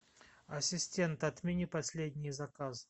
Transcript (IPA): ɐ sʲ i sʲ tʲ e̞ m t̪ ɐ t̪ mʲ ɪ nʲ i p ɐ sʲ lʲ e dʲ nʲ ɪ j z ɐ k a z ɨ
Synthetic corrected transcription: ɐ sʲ ɪ sʲ tʲ e̞ n t̪ ɐ t̪ mʲ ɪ nʲ i p ɐ sʲ lʲ e dʲ nʲ ɪ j z ɐ k a z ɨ